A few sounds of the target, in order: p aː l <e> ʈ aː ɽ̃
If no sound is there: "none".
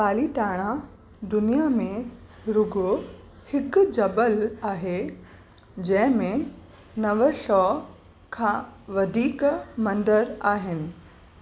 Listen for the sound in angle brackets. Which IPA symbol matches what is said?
i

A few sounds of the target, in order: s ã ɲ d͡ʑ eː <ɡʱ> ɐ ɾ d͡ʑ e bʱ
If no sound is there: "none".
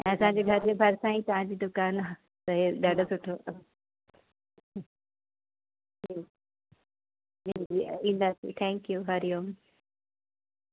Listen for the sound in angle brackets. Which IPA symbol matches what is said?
ɡʱ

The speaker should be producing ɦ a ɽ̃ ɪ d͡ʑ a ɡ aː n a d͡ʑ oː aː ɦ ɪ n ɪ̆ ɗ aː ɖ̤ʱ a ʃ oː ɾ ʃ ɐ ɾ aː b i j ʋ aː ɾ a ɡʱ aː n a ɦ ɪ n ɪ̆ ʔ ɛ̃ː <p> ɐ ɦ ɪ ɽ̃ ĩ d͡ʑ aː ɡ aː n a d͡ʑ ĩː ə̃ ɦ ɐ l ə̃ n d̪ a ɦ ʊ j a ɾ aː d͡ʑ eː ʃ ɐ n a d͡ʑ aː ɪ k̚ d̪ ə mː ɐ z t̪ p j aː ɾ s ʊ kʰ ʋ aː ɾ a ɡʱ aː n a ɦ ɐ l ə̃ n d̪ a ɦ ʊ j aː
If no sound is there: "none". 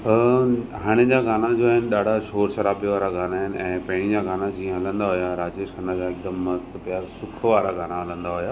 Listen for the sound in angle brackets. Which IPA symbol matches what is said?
p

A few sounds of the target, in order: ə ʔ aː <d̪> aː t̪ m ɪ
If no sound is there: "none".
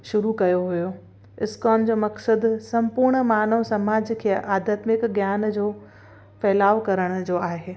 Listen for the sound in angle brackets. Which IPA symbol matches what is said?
d̪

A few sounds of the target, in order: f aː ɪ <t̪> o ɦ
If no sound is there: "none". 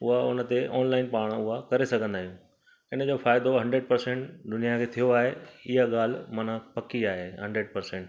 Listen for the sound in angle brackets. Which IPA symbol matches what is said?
d̪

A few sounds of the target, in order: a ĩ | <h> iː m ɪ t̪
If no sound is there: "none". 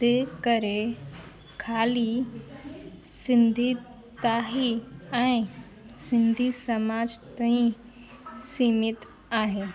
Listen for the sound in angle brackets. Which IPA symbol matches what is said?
s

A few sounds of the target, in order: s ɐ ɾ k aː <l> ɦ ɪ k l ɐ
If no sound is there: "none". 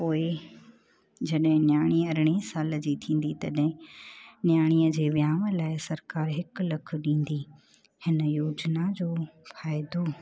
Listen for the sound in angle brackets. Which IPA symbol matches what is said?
ɾ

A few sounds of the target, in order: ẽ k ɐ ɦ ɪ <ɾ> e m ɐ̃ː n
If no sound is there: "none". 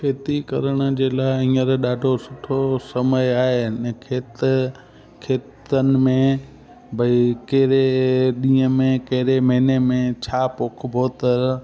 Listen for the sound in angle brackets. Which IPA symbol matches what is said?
ɾ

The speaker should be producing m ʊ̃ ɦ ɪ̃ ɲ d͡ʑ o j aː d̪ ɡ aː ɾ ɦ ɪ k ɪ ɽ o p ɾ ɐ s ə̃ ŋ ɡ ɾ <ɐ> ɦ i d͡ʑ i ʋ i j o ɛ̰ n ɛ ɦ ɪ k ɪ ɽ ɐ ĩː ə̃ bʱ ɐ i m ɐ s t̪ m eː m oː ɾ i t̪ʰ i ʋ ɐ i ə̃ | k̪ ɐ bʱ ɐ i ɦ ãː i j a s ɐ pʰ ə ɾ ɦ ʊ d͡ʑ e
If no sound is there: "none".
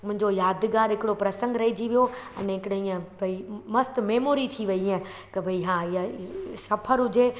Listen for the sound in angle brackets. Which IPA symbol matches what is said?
ɐ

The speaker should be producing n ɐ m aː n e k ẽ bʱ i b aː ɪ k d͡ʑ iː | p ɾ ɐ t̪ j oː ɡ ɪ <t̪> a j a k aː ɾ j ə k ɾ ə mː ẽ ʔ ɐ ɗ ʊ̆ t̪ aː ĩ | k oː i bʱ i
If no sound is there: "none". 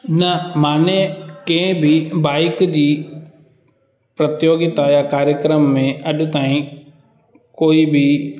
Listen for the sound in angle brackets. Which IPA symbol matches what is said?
t̪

